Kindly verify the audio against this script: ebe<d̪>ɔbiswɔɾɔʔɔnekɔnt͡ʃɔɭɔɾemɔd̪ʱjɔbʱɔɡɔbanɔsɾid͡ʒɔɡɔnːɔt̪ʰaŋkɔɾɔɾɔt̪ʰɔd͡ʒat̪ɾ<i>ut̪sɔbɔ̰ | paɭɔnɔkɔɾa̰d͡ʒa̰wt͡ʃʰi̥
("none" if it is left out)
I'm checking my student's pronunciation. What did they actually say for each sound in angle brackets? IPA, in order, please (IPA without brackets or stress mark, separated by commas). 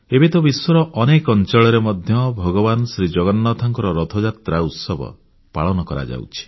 t̪, a